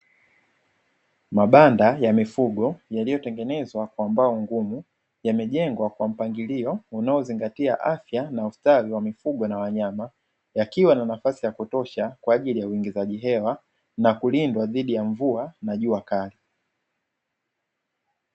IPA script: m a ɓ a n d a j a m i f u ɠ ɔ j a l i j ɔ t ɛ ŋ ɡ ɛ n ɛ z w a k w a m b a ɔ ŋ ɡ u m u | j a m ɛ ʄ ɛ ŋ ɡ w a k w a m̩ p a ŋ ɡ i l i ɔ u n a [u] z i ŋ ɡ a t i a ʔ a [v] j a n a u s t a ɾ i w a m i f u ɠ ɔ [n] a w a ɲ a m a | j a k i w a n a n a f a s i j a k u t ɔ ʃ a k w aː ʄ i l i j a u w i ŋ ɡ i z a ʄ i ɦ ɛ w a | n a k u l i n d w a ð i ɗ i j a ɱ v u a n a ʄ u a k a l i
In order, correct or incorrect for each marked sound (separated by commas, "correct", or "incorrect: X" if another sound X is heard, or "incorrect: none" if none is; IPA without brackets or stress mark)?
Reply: incorrect: ɔ, incorrect: f, correct